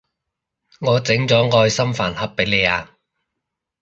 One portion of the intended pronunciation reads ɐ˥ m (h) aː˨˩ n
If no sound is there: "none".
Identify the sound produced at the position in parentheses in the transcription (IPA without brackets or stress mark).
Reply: f